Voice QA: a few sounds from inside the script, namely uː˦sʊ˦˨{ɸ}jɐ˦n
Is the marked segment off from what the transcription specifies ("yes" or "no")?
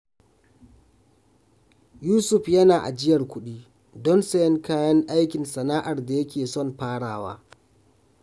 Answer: no